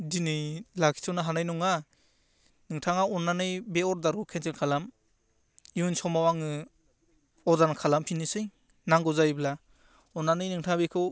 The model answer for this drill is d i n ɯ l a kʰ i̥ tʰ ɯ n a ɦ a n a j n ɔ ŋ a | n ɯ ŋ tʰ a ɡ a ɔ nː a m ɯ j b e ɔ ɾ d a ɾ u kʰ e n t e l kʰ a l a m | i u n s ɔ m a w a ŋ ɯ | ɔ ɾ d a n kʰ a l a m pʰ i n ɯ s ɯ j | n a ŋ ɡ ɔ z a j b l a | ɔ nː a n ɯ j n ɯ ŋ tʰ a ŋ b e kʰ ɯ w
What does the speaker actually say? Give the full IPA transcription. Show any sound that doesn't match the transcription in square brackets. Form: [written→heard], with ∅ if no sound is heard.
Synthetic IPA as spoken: d i n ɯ l a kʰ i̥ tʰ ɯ n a ɦ a n a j n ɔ ŋ a | n ɯ ŋ tʰ a [ɡ→ŋ] a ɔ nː a [m→n] ɯ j b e ɔ ɾ d a ɾ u kʰ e n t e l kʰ a l a m | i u n s ɔ m a w a ŋ ɯ | ɔ ɾ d a n kʰ a l a m pʰ i n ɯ s ɯ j | n a ŋ ɡ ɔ z a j b l a | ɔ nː a n ɯ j n ɯ ŋ tʰ a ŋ b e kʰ ɯ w